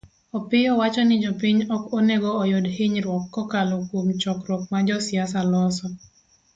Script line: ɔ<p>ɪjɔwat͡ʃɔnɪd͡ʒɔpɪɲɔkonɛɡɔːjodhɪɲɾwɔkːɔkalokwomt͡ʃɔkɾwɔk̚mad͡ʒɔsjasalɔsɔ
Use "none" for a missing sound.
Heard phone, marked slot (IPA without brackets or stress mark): p